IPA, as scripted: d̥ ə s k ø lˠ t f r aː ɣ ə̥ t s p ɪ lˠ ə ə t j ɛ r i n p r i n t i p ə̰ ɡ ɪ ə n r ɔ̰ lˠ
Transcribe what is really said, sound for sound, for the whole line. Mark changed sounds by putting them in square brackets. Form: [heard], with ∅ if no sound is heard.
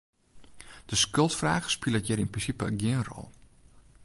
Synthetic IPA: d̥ ə s k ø lˠ t f r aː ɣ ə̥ [∅] s p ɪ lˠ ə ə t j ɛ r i n p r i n [s] i p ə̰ ɡ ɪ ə n r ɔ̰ lˠ